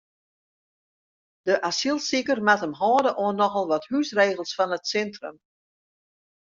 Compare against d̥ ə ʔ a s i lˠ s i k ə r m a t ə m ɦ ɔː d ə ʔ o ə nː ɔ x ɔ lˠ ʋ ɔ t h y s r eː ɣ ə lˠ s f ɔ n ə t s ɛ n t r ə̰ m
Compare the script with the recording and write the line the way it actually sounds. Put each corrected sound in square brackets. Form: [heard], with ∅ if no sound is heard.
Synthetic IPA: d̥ ə ʔ a s i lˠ s i k ə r m a t ə m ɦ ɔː d ə ʔ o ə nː ɔ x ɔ lˠ ʋ ɔ t h y s r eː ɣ ə lˠ s f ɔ n ə t s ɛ n t r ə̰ m